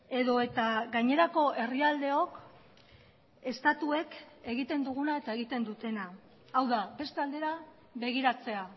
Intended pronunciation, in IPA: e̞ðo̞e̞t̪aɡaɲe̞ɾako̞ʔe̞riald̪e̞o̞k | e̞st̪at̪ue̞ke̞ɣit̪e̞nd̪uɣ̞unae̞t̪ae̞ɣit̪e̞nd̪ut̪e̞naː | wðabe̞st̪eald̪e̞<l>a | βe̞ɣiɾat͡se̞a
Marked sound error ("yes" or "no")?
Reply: yes